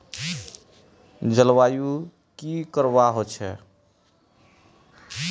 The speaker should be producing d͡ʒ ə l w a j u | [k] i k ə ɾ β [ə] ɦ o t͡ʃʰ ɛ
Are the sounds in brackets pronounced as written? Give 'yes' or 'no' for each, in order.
yes, no

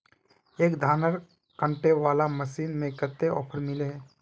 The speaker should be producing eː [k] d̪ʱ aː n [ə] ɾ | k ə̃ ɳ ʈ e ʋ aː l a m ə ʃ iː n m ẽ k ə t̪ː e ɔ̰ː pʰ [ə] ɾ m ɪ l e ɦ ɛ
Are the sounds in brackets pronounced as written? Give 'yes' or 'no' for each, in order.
yes, yes, yes

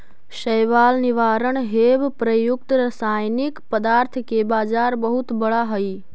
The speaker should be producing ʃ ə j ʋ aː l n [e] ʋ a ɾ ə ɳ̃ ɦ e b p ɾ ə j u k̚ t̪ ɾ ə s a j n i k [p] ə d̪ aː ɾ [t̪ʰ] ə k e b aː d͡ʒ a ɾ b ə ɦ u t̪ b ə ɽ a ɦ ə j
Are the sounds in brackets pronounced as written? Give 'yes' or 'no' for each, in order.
no, yes, yes

